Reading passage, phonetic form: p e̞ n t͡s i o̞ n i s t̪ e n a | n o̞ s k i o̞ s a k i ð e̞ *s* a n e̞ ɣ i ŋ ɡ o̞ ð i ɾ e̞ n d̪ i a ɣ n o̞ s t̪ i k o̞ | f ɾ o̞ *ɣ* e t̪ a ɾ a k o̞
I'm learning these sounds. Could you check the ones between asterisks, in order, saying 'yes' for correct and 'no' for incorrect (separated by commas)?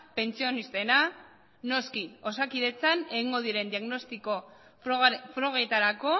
no, yes